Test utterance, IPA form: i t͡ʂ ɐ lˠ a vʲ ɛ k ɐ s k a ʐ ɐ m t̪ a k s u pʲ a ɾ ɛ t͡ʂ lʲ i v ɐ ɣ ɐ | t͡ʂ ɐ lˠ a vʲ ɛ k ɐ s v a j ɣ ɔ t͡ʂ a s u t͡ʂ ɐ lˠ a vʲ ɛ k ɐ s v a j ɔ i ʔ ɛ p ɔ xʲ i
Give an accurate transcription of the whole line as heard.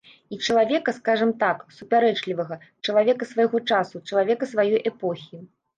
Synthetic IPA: i t͡ʂ ɐ lˠ a vʲ ɛ k ɐ s k a ʐ ɐ m t̪ a k s u pʲ a ɾ ɛ t͡ʂ lʲ i v ɐ ɣ ɐ | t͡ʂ ɐ lˠ a vʲ ɛ k ɐ s v a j ɣ ɔ t͡ʂ a s u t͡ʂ ɐ lˠ a vʲ ɛ k ɐ s v a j ɔ j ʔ ɛ p ɔ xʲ i